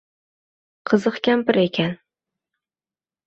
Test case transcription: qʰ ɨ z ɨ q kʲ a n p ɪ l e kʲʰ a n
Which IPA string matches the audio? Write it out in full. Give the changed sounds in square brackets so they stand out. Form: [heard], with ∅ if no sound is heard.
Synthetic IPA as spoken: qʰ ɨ z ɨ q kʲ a [m] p ɪ [ɾ] e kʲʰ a n